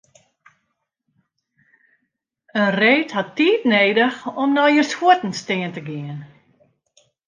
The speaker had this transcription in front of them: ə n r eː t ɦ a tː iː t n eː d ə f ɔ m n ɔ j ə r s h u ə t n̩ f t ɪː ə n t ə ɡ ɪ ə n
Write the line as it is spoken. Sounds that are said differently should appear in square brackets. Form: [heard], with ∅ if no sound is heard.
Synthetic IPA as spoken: ə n r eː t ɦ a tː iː t n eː d ə [x] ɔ m n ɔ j ə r s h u ə t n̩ [s] t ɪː ə n t ə ɡ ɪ ə n

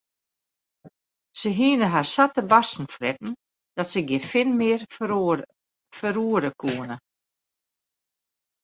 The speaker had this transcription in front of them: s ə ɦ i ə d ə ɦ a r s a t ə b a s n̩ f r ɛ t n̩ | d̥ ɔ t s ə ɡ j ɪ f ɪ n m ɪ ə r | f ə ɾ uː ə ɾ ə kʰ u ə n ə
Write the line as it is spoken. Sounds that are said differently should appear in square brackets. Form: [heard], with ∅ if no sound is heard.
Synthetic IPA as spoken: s ə ɦ i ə [n] ə ɦ a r s a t ə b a s n̩ f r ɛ t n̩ | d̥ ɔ t s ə ɡ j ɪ f ɪ n m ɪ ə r | f ə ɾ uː ə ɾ ə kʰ u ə n ə

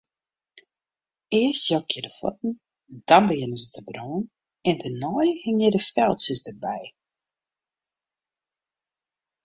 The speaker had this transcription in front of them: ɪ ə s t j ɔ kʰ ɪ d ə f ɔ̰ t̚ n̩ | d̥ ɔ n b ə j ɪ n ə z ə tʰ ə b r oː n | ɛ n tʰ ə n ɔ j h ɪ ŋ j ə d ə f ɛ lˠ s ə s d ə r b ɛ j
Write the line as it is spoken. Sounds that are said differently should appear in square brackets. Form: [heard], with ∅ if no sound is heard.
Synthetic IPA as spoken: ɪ ə s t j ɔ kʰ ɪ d ə f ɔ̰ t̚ n̩ | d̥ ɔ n b ə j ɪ n ə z ə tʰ ə b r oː n | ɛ n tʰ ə n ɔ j h ɪ ŋ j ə d ə f ɛ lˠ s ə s d ə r b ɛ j

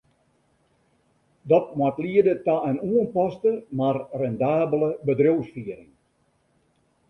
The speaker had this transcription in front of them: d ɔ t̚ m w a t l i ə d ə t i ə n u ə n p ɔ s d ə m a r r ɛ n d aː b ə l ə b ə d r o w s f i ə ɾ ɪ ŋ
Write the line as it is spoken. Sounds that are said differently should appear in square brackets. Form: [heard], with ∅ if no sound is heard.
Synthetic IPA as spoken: d ɔ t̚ m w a t l i ə d ə t [a] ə n u ə n p ɔ s [t] ə m a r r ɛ n d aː b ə l ə b ə d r o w s f i ə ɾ ɪ ŋ

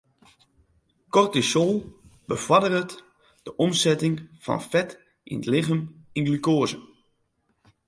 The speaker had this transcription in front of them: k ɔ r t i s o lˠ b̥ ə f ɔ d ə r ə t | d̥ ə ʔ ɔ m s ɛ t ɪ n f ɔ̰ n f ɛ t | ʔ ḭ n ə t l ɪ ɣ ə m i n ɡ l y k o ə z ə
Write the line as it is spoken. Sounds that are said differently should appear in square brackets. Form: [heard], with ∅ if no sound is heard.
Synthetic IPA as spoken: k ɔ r t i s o lˠ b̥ ə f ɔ d ə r ə t | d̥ ə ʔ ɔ m s ɛ t ɪ [ŋ] f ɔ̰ n f ɛ t | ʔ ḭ n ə t l ɪ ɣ ə m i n ɡ l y k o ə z ə

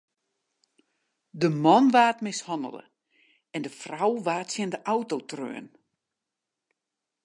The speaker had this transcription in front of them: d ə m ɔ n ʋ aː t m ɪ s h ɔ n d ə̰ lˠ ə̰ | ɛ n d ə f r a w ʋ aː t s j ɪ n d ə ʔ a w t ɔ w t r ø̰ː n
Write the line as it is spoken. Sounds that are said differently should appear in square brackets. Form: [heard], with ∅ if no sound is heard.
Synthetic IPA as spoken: d ə m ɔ n ʋ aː t m ɪ s h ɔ n d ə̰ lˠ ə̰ | ɛ n d ə f r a w ʋ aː t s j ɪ n d ə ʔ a w t [o] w t r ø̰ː n

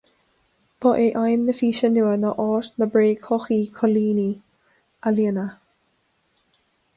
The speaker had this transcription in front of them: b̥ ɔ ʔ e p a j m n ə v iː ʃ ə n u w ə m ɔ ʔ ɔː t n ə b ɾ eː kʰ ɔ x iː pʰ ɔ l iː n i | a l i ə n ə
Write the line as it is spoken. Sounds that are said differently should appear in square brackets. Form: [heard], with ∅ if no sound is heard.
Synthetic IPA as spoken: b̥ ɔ ʔ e [ʔ] a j m n ə [f] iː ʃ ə n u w ə [n] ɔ ʔ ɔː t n ə b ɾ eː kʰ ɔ x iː [kʰ] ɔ l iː n i | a l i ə n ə

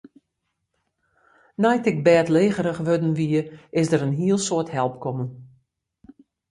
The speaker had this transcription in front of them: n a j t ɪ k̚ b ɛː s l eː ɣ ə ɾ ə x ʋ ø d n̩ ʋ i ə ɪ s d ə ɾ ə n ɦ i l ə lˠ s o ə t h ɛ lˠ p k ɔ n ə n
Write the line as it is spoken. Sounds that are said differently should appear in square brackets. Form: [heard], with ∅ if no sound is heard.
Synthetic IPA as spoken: n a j t ɪ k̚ b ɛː [t] l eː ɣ ə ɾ ə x ʋ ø d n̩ ʋ i ə ɪ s d ə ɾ ə n ɦ i [∅] ə lˠ s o ə t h ɛ lˠ p k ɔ [m] ə n

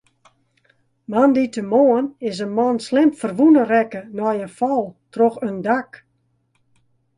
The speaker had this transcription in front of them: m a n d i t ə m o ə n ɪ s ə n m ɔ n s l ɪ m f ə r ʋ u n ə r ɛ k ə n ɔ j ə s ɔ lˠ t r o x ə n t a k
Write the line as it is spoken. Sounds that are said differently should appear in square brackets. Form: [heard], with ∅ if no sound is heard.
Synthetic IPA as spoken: m a n d i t ə m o ə n ɪ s ə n m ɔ n s l ɪ m f ə r ʋ u n ə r ɛ k ə n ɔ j ə [f] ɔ lˠ t r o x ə n [d] a k

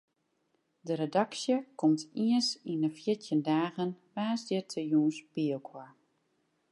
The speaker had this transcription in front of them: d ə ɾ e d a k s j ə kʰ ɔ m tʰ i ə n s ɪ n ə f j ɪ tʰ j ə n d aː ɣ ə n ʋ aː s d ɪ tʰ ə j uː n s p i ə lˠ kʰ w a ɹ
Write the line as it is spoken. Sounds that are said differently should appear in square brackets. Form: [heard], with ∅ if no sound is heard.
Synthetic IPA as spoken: d ə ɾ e d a k s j ə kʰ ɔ m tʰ i ə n s [i] n ə f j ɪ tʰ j ə n d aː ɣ ə n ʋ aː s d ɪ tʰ ə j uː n s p i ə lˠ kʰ w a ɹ

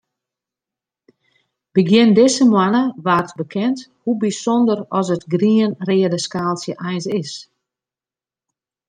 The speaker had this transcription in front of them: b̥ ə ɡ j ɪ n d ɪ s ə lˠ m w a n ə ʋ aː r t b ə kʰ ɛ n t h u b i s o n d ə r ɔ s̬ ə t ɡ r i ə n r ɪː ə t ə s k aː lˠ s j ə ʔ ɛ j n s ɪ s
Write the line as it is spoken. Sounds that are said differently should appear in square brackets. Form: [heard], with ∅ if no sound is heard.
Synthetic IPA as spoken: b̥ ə ɡ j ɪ n d ɪ s ə [∅] m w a n ə ʋ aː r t b ə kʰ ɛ n t h u b i s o n d ə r ɔ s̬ ə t ɡ r i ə n r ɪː ə [d] ə s k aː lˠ s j ə ʔ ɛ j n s ɪ s

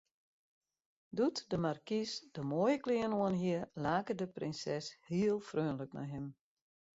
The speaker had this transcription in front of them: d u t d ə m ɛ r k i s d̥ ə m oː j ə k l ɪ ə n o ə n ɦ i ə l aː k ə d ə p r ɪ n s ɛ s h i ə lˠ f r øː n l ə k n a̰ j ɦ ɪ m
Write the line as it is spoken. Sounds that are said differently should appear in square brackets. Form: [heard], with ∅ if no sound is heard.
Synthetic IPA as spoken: d u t d ə m [a] r k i s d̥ ə m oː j ə k l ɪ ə n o ə n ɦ i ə l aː k ə d ə p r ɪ n s ɛ s h i ə lˠ f r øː n l ə k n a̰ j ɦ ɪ m

